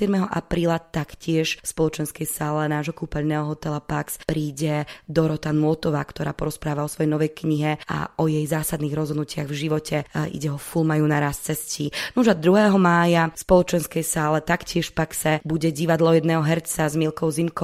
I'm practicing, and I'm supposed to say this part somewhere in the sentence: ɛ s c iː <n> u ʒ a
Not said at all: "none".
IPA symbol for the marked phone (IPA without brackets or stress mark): n